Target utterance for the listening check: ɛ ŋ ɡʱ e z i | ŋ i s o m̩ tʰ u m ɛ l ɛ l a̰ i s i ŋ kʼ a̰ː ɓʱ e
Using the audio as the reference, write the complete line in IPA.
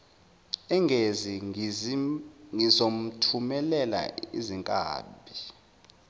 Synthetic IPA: ɛ ŋ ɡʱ e z i | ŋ i z o m̩ tʰ u m ɛ l ɛ l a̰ i z i ŋ kʼ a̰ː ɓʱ i